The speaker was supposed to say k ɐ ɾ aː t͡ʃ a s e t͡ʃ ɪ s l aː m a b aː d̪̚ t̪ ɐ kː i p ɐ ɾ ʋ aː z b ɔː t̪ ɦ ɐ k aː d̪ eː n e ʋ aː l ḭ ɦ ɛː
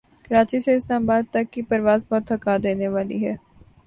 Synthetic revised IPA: k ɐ ɾ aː t͡ʃ i s e ɪ s l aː m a b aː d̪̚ t̪ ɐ kː i p ɐ ɾ ʋ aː z b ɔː t̪ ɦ ɐ k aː d̪ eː n e ʋ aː l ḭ ɦ ɛː